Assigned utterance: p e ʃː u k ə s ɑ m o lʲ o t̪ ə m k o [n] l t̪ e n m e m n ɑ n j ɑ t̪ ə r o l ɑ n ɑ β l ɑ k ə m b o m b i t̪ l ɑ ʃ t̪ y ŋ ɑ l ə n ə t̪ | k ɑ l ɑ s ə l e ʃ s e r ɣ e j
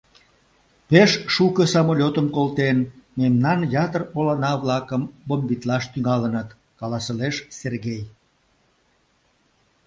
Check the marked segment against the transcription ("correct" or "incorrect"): incorrect